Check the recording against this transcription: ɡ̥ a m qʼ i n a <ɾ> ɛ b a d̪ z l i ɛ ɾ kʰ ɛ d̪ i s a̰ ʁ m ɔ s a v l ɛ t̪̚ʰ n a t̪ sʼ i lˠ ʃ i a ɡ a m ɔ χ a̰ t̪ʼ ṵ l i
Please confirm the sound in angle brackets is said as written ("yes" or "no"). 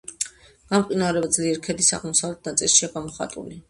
yes